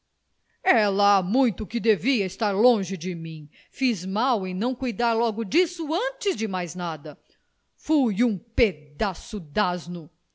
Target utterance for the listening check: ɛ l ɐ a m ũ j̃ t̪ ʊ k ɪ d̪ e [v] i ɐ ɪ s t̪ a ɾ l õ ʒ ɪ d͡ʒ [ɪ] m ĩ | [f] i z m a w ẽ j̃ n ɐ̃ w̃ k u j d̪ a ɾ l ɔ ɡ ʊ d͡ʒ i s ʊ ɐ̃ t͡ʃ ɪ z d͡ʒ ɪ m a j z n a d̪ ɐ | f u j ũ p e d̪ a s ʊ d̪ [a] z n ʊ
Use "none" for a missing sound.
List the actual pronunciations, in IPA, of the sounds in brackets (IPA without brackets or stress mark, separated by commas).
v, ɪ, f, a